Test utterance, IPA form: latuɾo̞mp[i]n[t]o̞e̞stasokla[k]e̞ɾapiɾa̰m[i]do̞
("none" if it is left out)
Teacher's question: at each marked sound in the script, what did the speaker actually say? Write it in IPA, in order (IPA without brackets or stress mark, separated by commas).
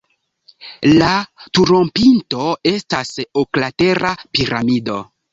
i, t, t, i